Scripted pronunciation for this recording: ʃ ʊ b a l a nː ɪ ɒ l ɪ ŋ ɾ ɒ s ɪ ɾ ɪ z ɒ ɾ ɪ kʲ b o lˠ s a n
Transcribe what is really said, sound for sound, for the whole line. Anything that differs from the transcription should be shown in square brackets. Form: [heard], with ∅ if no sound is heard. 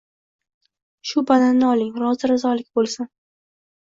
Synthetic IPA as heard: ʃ ʊ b a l a nː ɪ ɒ l ɪ ŋ ɾ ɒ [z] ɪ ɾ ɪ z ɒ [l] ɪ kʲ b o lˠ s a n